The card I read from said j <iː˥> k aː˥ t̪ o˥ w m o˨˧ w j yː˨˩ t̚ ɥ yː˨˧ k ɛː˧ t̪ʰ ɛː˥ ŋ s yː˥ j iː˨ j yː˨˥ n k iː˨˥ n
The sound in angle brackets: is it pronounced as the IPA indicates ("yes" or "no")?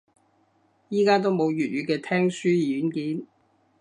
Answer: yes